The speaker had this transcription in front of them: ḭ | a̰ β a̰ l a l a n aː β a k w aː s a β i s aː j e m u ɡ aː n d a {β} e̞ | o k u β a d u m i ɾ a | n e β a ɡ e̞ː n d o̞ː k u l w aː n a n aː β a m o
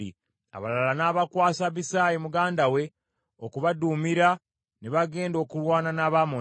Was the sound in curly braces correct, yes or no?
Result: no